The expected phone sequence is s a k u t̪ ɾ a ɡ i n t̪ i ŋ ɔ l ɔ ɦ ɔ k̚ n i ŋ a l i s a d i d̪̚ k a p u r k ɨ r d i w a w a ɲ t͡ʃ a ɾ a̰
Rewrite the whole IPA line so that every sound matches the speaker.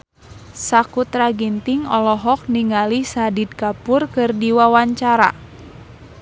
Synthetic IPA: s a k u t̪ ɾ a ɡ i n t̪ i ŋ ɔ l ɔ ɦ ɔ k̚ n i ŋ a l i s a d i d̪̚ k a p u r k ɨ r d i w a w a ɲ t͡ʃ a ɾ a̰